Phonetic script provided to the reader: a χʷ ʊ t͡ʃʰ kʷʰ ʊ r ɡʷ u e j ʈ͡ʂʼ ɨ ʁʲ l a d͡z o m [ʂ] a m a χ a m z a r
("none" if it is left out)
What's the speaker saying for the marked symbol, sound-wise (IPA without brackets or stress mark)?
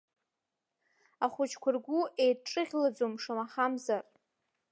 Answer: ʂ